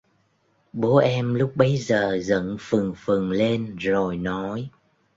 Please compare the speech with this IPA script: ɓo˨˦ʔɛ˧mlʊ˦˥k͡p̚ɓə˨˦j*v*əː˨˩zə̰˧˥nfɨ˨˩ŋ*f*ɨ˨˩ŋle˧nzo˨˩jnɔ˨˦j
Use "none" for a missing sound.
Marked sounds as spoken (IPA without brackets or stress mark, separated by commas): z, f